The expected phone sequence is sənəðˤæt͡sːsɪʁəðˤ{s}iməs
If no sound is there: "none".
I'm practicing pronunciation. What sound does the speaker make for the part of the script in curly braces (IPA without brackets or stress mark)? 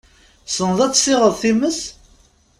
θ